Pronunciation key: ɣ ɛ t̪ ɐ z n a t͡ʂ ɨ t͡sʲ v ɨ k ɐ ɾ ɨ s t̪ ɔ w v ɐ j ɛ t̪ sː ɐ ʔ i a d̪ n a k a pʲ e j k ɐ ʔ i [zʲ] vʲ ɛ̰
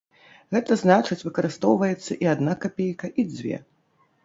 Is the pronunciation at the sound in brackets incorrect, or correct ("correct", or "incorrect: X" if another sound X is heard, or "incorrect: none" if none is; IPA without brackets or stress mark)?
incorrect: d͡zʲ